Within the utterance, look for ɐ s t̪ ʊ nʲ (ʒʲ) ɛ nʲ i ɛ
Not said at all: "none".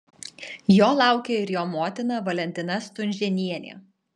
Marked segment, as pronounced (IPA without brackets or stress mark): ʒʲ